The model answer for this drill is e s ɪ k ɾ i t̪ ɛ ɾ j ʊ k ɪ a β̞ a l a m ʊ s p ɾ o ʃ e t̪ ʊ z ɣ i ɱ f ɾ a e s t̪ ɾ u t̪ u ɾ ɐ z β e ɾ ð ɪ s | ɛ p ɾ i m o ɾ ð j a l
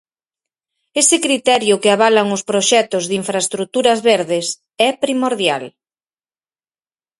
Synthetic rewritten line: e s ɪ k ɾ i t̪ ɛ ɾ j ʊ k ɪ a β̞ a l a ŋ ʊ s p ɾ o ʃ ɛ t̪ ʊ z ð i ɱ f ɾ a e s t̪ ɾ u t̪ u ɾ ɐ z β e ɾ ð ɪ s | ɛ p ɾ i m o ɾ ð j a l